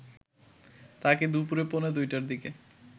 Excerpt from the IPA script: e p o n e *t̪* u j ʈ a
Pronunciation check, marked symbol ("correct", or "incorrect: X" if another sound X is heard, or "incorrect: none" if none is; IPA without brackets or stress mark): incorrect: d̪